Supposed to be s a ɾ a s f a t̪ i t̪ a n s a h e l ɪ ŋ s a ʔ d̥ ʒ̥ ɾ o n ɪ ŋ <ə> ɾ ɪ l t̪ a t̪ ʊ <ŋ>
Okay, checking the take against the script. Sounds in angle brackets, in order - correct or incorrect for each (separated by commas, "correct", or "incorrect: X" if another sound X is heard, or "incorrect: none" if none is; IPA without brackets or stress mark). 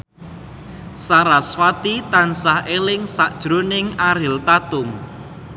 incorrect: a, correct